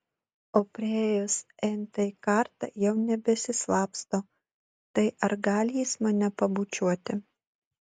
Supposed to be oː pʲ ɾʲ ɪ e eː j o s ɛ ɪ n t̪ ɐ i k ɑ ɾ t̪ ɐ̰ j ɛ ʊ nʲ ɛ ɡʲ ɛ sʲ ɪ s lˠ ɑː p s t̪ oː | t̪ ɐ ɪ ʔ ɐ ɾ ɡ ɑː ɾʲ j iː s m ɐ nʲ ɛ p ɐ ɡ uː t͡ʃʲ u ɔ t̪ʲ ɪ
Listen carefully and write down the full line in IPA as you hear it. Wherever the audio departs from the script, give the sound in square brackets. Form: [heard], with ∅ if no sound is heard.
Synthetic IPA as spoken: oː pʲ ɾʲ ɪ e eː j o s ɛ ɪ n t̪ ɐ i k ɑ ɾ t̪ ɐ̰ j ɛ ʊ nʲ ɛ [bʲ] ɛ sʲ ɪ s lˠ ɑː p s t̪ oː | t̪ ɐ ɪ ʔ ɐ ɾ ɡ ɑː [lʲ] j iː s m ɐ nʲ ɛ p ɐ [b] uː t͡ʃʲ u ɔ t̪ʲ ɪ